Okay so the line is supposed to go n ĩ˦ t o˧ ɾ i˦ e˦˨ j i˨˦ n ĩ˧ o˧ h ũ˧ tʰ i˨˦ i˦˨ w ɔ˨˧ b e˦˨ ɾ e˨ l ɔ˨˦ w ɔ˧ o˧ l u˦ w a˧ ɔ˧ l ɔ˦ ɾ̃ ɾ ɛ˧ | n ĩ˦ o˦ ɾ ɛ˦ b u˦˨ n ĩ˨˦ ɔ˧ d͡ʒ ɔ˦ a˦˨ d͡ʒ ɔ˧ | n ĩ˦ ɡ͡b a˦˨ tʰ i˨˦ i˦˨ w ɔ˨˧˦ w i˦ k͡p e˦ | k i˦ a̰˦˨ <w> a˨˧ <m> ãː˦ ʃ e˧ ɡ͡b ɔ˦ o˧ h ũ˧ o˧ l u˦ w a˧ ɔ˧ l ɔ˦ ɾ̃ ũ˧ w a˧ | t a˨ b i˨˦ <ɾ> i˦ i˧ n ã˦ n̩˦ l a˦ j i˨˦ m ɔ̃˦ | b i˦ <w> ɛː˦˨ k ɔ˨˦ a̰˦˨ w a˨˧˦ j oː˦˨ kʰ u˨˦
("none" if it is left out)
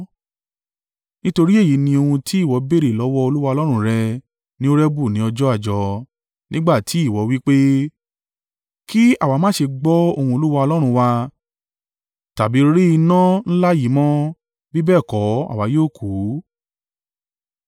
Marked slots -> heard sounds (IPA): w, m, ɾ, b

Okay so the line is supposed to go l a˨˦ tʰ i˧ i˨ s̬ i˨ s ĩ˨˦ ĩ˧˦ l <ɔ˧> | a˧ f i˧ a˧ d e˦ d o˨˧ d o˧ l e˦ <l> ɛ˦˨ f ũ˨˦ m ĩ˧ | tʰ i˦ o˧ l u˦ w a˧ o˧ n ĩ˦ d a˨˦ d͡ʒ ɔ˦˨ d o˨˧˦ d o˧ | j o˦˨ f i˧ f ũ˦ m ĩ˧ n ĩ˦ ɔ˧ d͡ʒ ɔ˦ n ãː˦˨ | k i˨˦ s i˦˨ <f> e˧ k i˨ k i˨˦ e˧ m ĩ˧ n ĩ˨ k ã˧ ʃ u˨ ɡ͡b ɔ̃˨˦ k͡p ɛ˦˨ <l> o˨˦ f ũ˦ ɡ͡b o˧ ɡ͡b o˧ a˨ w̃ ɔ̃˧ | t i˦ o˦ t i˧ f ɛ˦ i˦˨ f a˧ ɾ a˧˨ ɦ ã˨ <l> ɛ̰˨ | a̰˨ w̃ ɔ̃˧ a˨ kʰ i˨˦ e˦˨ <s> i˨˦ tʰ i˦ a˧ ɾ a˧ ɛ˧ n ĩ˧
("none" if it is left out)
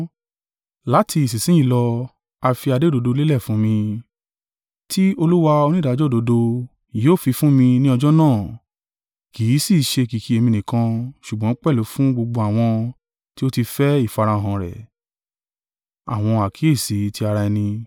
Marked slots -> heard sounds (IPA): ɔ˧, l, ʃ, l, ɾ, s

